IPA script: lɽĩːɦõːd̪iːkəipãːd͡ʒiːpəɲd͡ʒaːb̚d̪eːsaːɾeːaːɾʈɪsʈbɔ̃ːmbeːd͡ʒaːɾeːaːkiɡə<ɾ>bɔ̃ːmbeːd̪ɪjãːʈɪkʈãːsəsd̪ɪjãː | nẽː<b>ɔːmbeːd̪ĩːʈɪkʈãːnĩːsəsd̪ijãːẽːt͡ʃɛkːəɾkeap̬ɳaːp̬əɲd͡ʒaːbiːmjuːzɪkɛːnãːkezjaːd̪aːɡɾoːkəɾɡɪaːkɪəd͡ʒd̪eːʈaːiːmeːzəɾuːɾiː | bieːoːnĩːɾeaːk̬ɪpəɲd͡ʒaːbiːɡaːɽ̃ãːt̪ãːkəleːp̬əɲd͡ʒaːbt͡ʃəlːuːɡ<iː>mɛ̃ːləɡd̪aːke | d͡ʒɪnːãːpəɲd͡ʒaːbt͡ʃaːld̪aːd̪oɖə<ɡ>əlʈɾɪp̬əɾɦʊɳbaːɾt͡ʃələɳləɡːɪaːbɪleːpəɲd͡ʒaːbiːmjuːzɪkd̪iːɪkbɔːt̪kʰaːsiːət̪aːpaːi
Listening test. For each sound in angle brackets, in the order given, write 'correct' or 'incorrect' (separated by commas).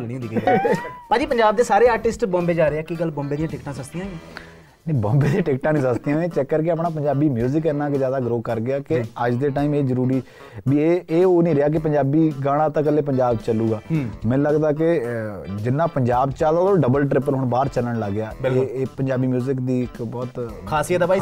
incorrect, correct, incorrect, incorrect